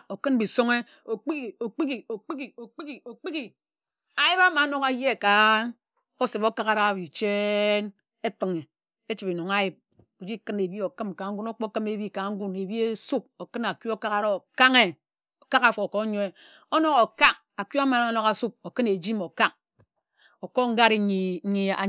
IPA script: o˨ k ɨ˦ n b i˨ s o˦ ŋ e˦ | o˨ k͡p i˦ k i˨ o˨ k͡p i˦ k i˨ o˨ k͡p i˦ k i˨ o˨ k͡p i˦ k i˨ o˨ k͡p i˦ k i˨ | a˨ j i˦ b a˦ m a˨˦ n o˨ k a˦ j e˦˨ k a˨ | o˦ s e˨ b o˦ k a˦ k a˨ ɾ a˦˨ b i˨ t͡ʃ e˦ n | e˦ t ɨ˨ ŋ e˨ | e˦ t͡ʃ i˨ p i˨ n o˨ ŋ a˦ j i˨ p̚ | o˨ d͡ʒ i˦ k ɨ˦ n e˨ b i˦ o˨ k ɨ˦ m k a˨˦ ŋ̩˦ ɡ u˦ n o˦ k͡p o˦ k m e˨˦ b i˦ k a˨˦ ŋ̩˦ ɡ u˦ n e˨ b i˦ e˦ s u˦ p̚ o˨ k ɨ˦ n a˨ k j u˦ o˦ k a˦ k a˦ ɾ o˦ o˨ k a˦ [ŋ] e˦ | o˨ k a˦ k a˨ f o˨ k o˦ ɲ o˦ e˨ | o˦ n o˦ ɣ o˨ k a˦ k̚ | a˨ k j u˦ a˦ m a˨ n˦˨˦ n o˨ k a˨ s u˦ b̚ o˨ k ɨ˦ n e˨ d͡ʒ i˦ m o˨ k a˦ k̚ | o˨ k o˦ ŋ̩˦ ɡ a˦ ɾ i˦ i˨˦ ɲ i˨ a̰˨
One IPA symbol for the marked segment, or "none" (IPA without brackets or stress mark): ŋ